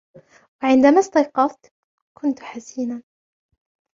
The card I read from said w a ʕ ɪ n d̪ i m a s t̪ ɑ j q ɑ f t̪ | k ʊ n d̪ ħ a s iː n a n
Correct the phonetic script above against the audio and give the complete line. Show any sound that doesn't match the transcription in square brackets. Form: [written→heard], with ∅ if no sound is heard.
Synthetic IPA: w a ʕ ɪ n d̪ [i→a] m a s t̪ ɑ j q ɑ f t̪ | k ʊ n [d̪→t̪] ħ a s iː n a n